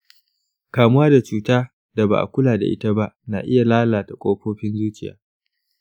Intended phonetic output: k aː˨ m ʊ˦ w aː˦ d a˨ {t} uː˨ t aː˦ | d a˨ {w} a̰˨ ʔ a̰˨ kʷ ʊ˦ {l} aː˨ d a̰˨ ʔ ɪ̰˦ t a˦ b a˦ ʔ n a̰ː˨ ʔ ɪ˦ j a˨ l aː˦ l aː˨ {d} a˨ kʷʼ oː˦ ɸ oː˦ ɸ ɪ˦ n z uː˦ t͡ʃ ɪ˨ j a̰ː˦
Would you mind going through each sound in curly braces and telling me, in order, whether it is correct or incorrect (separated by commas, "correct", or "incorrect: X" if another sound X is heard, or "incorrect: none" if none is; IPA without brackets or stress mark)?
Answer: incorrect: t͡ʃ, incorrect: b, correct, incorrect: t